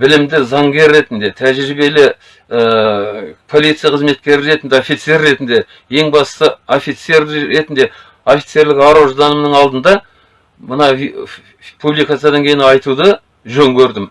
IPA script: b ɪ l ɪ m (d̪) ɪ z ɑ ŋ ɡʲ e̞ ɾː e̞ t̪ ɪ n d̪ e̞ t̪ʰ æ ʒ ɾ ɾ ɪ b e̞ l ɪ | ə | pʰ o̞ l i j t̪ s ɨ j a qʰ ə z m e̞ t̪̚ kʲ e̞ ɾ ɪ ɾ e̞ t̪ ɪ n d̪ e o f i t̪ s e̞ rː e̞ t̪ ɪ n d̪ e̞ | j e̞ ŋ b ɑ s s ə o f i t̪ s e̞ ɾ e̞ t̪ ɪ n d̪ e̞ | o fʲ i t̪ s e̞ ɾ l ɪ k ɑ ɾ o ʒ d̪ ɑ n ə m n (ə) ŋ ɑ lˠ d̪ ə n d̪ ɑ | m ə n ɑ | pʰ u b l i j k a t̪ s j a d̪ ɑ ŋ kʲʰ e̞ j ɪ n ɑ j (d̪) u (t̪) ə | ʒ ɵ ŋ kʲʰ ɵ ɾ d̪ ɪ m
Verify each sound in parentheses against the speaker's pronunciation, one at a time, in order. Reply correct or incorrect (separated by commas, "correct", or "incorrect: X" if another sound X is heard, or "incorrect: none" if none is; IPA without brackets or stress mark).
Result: correct, correct, incorrect: t̪, incorrect: d̪